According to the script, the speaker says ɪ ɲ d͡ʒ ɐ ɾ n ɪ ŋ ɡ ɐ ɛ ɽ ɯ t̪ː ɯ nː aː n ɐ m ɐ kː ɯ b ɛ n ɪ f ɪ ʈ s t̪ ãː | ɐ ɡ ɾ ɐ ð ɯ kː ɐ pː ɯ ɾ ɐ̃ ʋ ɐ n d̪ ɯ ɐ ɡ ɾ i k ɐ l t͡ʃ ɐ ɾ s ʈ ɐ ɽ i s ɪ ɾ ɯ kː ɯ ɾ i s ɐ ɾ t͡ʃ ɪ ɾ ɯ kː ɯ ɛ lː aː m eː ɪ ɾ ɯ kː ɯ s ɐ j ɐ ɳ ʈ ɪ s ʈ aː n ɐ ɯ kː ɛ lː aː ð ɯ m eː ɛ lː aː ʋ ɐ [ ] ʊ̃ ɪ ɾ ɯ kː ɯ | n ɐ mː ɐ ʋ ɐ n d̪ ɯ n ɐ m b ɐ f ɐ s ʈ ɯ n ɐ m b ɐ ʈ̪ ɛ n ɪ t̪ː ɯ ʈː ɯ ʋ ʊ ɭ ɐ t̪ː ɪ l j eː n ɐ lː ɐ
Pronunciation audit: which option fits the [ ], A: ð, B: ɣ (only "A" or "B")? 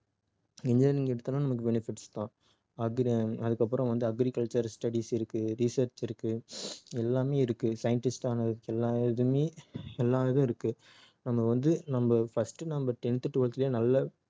A